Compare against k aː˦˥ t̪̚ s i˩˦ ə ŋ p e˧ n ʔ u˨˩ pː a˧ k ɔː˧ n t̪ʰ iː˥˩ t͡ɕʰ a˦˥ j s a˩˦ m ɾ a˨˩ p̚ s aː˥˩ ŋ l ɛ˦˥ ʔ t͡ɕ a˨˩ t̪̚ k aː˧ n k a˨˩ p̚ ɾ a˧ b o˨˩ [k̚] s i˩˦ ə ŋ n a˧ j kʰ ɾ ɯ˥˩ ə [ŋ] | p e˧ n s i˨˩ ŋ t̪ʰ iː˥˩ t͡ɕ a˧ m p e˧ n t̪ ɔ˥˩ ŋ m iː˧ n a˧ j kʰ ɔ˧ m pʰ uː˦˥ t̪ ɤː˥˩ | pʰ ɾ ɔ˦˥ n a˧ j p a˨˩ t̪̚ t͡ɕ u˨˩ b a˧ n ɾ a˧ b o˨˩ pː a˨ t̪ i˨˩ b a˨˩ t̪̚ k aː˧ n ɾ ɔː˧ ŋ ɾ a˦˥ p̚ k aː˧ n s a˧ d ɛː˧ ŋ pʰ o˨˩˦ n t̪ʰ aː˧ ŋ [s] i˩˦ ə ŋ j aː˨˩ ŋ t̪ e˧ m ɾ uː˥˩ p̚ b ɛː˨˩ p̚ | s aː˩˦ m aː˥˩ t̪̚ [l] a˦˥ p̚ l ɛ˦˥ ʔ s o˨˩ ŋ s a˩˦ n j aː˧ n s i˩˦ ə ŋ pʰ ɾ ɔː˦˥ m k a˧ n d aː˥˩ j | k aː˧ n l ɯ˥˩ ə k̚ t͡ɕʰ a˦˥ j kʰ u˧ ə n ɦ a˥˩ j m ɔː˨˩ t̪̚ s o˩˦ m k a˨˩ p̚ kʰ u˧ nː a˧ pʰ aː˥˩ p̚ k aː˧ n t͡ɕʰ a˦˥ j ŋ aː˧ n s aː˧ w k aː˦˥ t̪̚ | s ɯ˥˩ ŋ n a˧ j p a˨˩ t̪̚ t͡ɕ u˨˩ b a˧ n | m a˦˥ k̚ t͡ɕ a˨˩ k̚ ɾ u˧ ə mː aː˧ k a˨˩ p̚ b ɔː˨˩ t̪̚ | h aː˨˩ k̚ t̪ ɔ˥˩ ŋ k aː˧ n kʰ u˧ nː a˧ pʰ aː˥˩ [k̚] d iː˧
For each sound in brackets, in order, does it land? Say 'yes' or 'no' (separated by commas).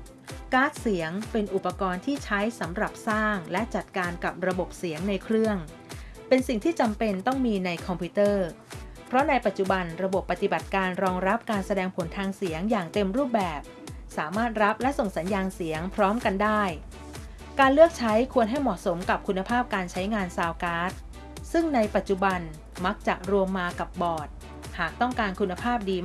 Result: no, yes, yes, no, no